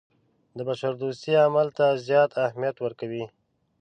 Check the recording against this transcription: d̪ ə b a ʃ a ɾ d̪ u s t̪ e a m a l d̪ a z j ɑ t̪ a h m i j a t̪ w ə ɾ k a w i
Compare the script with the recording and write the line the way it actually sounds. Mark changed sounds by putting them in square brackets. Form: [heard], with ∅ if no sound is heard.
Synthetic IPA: d̪ ə b a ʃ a ɾ d̪ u s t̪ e a m a l [t̪] a z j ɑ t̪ a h m i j a t̪ w ə ɾ k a w i